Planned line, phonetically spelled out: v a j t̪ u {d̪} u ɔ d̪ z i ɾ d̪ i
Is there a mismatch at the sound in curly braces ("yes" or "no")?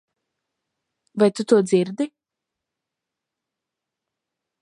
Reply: yes